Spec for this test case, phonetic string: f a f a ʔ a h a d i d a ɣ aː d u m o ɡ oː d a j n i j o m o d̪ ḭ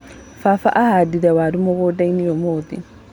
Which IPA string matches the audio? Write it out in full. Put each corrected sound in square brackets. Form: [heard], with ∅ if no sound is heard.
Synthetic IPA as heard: f a f a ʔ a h a d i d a [w] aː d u m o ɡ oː d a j n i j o m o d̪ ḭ